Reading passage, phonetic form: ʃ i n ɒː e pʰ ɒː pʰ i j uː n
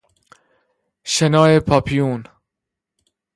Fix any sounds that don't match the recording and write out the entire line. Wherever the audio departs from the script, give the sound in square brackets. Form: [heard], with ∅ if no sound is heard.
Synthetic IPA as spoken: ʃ [e] n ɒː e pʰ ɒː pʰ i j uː n